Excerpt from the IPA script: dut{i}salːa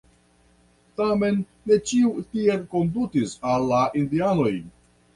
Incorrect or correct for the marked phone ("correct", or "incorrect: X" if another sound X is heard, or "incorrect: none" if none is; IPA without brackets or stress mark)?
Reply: correct